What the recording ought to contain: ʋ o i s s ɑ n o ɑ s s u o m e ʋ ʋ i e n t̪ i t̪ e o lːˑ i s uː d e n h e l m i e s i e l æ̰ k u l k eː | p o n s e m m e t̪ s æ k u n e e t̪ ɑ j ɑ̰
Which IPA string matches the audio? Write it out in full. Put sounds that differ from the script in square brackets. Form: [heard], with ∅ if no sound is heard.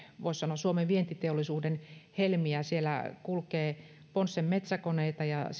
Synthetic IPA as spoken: ʋ o i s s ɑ n o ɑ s s u o m e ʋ ʋ i e n t̪ i t̪ e o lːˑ i s uː d e n h e l m i [æ] s i e l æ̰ k u l k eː | p o n [sː] e m m e t̪ s æ k [o] n e [i] t̪ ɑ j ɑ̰